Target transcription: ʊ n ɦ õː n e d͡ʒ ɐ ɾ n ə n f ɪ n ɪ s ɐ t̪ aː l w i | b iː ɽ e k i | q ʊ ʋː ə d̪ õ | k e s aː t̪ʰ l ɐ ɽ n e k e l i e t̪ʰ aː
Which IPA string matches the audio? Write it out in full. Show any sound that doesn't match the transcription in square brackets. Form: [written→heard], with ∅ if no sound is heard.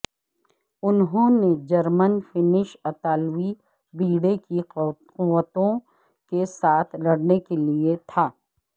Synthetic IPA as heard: ʊ n ɦ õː n e d͡ʒ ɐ ɾ [n→m] ə n f ɪ n ɪ [s→ʃ] ɐ t̪ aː l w i | b iː ɽ e k i | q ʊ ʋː ə [d̪→t̪] õ | k e s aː t̪ʰ l ɐ ɽ n e k e l i e t̪ʰ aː